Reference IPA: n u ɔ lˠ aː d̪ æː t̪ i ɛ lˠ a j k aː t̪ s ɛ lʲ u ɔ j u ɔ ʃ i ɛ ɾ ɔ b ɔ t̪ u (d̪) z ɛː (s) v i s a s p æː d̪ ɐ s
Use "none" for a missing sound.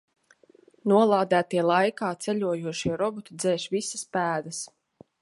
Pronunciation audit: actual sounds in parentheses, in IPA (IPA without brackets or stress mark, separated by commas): d̪, ʃ